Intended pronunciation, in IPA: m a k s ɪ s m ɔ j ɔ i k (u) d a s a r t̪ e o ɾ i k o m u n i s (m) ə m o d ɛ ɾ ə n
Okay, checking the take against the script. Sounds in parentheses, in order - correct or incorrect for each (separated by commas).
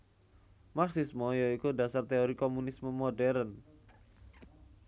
correct, correct